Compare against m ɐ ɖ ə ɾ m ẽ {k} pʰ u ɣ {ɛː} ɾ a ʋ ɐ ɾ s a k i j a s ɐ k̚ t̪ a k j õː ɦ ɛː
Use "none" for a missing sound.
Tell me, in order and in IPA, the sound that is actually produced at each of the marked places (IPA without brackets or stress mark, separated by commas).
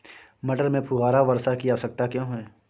none, aː